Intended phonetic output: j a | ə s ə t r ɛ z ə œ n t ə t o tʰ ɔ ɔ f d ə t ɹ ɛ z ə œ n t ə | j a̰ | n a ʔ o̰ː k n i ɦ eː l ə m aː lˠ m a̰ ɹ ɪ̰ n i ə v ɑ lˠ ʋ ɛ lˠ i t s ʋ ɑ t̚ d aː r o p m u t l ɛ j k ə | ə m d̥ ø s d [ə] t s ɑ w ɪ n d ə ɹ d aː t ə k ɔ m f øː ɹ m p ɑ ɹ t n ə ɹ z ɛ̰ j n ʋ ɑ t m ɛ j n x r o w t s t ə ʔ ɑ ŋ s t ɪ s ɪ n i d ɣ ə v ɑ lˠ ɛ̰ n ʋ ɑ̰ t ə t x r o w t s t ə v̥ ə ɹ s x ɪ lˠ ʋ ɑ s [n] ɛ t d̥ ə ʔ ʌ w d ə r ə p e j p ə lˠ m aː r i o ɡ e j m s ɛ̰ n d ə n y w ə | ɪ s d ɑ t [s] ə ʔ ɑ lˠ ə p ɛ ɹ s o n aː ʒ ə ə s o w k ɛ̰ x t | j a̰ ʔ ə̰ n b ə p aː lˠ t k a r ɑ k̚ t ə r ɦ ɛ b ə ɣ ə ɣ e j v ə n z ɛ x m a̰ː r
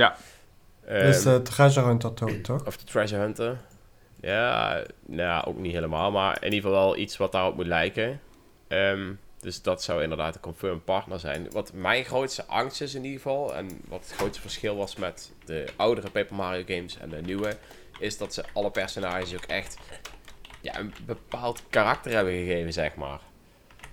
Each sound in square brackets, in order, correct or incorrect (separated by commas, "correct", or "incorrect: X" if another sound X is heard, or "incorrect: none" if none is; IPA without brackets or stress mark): incorrect: ɑ, incorrect: m, correct